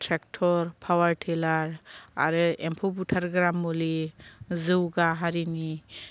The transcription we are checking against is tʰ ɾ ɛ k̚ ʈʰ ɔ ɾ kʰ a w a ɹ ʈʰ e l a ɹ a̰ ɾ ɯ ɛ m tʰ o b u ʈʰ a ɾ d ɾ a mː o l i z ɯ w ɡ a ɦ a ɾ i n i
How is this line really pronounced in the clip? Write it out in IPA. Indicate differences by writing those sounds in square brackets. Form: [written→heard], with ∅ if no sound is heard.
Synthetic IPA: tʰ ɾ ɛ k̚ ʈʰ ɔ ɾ [kʰ→pʰ] a w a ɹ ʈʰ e l a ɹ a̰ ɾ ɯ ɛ m [tʰ→pʰ] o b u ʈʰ a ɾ [d→ɡ] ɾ a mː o l i z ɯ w ɡ a ɦ a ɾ i n i

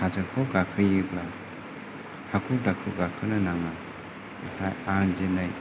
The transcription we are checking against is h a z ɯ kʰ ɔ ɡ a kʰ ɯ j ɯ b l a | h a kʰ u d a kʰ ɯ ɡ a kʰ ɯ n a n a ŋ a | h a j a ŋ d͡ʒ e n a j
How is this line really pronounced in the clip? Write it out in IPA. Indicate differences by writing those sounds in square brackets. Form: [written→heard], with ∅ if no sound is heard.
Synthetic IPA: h a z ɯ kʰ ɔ ɡ a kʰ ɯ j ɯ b l a | h a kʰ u d a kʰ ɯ ɡ a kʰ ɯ n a n a ŋ a | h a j a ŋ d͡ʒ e n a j

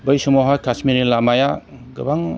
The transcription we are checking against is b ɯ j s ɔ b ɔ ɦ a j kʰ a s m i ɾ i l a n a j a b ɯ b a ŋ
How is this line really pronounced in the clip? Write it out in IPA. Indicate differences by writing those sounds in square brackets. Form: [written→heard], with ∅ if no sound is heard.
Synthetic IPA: b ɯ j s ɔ [b→m] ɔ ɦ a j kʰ a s m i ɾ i l a [n→m] a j a [b→ɡ] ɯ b a ŋ

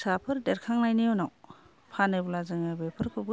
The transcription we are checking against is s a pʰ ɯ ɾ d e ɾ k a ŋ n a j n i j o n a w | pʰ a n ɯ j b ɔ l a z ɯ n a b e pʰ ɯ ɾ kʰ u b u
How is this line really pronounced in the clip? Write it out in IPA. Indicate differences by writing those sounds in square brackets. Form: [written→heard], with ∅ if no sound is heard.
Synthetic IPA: s a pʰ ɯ ɾ d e ɾ [k→kʰ] a ŋ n a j n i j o n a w | pʰ a n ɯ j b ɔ l a z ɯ [n→ŋ] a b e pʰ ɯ ɾ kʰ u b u

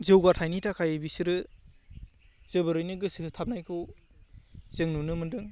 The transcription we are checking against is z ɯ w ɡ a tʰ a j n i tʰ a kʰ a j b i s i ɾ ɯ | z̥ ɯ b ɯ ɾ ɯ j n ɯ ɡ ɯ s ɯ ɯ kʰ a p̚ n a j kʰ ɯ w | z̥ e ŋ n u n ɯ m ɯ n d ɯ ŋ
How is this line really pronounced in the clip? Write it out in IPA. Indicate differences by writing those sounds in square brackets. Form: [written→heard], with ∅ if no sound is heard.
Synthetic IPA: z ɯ w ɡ a tʰ a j n i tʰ a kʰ a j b i s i ɾ ɯ | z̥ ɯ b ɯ ɾ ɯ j n ɯ ɡ ɯ s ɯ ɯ [kʰ→tʰ] a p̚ n a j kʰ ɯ w | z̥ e ŋ n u n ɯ m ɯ n d ɯ ŋ

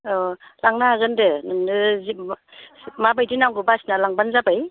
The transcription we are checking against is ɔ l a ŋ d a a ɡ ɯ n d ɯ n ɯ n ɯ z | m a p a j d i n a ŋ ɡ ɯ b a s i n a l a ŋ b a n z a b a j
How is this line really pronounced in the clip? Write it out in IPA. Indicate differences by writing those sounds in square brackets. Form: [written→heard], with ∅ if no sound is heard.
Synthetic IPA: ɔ l a ŋ [d→n] a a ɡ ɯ n d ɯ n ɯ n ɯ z | m a [p→b] a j d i n a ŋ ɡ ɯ b a s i n a l a ŋ b a n z a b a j

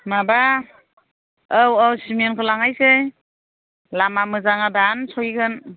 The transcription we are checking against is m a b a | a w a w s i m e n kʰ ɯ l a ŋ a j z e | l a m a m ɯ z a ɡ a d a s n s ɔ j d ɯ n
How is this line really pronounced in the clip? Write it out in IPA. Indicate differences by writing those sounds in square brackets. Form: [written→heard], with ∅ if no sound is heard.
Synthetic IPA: m a b a | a w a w s i m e n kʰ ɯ l a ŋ a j [z→s] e | l a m a m ɯ z a [ɡ→ŋ] a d a [s→∅] n s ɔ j [d→ɡ] ɯ n

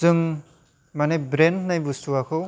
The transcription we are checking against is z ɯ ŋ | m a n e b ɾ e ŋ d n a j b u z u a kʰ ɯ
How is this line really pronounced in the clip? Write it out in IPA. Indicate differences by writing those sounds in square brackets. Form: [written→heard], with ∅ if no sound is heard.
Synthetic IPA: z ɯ ŋ | m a n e b ɾ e [ŋ→n] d n a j b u [z→s] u a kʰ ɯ

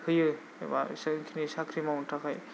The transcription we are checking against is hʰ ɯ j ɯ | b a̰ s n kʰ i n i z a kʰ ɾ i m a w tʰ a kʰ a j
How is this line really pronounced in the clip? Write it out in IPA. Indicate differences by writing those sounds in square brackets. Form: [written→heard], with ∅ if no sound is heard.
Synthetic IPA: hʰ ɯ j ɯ | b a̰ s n kʰ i n i [z→s] a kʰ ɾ i m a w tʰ a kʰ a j

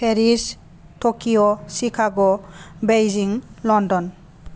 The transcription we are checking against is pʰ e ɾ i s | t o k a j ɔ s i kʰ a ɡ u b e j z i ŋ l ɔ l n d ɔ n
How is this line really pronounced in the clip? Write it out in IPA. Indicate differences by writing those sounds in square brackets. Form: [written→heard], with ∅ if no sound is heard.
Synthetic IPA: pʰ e ɾ i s | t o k [a→i] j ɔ s i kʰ a ɡ [u→ɔ] b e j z i ŋ l ɔ [l→∅] n d ɔ n

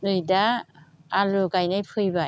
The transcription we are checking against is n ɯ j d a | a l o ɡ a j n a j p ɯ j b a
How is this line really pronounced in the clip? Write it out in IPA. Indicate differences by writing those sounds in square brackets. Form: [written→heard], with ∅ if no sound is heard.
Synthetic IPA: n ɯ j d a | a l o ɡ a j n a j [p→pʰ] ɯ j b a

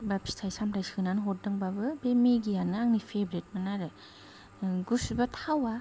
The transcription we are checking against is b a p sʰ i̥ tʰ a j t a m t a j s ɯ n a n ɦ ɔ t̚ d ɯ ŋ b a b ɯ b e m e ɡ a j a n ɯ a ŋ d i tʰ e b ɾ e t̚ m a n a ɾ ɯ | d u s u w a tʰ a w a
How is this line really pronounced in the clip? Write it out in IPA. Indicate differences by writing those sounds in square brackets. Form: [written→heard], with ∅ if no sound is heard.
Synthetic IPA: b a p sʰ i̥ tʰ a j [t→s] a m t a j s ɯ n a n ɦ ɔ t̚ d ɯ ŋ b a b ɯ b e m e ɡ [a→i] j a n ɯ a ŋ [d→n] i [tʰ→pʰ] e b ɾ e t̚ m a n a ɾ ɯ | [d→ɡ] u s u [w→b] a tʰ a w a

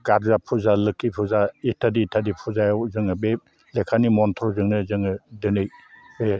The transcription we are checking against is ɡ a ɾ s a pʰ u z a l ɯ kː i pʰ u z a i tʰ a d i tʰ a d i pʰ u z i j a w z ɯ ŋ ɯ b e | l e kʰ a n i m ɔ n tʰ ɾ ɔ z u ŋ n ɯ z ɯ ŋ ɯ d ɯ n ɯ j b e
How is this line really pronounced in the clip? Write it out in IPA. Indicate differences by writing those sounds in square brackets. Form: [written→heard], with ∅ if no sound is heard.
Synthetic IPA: ɡ a ɾ [s→z] a pʰ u z a l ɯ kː i pʰ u z a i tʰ a d i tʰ a d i pʰ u z [i→a] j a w z ɯ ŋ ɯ b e | l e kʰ a n i m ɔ n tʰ ɾ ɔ z [u→ɯ] ŋ n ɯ z ɯ ŋ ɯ d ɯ n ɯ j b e

